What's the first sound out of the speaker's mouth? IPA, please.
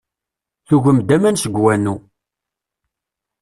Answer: θ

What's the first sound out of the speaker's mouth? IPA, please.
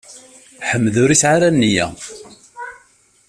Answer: ħ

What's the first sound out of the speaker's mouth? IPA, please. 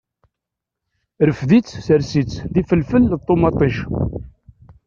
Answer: ɾ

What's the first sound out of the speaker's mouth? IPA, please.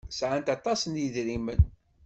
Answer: s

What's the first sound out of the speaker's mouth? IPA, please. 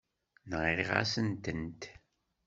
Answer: n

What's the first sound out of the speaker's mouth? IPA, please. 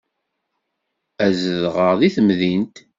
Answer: æ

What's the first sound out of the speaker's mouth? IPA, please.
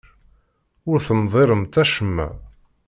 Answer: ʊ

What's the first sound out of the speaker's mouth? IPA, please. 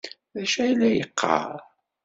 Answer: ð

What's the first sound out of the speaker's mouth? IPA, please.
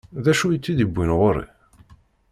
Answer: ð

